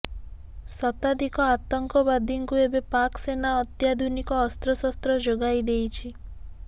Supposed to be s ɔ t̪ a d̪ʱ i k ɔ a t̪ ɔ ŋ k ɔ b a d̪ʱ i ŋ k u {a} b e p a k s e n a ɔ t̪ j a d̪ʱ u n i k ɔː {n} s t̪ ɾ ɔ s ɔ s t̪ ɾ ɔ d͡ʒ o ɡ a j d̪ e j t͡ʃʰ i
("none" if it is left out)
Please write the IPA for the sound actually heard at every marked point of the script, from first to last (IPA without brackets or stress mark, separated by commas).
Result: e, none